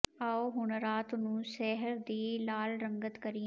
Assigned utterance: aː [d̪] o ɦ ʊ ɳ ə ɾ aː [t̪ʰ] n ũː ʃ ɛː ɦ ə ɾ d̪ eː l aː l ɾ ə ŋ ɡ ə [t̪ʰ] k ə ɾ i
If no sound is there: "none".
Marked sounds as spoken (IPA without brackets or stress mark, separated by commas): none, t̪, t̪